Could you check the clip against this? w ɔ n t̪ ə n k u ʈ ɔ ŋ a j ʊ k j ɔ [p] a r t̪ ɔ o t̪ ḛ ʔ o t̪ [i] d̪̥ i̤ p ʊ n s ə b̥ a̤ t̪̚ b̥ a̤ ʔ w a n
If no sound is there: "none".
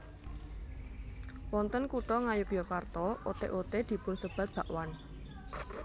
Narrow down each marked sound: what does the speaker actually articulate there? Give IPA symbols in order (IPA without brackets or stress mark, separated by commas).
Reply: k, e